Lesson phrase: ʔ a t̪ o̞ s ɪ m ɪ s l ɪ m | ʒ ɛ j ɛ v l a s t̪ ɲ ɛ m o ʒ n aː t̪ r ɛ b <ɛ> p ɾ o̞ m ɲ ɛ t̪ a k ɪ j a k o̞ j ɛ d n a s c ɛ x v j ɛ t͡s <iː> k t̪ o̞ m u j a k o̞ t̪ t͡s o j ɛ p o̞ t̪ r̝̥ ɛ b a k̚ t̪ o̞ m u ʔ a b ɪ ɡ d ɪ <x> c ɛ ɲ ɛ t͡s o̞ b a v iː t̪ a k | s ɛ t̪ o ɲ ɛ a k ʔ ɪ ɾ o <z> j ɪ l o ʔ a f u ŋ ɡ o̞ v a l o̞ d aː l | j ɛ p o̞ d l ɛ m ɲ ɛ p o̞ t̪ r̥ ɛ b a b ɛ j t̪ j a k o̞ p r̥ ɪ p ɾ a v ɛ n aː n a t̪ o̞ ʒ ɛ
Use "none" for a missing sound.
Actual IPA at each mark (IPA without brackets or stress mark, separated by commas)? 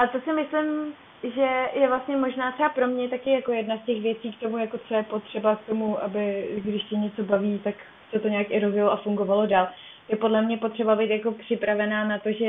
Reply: a, iː, ʃ, z